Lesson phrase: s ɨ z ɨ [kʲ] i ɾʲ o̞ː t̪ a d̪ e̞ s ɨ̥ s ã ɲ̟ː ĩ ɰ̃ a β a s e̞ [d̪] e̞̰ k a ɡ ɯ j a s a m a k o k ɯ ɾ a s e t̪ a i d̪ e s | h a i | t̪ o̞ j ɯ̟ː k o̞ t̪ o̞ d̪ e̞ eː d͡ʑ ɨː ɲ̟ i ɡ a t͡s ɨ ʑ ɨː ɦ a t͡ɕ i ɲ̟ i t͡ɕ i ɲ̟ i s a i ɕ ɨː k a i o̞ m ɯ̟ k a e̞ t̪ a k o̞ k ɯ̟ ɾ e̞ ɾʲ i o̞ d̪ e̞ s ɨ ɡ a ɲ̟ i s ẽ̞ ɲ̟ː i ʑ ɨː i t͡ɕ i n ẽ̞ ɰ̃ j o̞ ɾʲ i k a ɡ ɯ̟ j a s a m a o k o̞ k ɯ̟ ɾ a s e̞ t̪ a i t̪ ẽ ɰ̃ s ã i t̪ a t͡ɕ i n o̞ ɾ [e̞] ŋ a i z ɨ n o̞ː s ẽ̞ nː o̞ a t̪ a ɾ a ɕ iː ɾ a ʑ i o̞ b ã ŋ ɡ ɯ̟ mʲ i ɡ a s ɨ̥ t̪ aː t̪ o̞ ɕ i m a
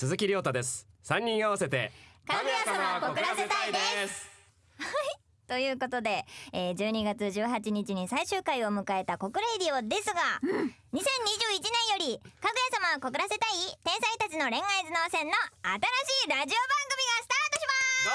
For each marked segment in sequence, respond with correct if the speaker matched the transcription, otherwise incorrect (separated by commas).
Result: correct, incorrect, incorrect